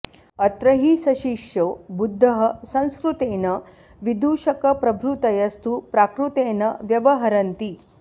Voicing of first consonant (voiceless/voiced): voiceless